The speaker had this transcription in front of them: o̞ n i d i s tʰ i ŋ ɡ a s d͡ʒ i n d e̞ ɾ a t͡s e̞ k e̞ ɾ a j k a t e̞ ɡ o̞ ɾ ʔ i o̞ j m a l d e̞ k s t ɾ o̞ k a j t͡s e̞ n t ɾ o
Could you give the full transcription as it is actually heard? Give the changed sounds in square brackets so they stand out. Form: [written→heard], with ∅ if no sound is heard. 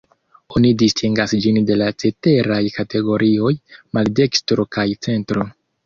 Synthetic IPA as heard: o̞ n i d i s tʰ i ŋ ɡ a s d͡ʒ i n d e̞ [ɾ→l] a t͡s e̞ [k→t] e̞ ɾ a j k a t e̞ ɡ o̞ ɾ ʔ i o̞ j m a l d e̞ k s t ɾ o̞ k a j t͡s e̞ n t ɾ o